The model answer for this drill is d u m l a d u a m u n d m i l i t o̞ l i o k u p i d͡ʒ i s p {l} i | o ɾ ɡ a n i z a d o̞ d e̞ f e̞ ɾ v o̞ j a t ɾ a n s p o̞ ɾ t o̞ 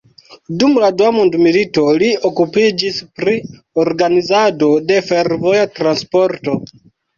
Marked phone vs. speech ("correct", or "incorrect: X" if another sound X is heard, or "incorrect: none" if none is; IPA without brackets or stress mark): incorrect: ɾ